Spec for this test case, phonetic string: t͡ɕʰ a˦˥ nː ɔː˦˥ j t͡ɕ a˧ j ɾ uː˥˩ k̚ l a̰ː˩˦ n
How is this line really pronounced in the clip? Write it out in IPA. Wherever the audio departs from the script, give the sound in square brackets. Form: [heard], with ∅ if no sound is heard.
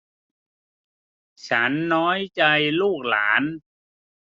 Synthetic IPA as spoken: t͡ɕʰ a˦˥ nː ɔː˦˥ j t͡ɕ a˧ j [l] uː˥˩ k̚ l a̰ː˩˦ n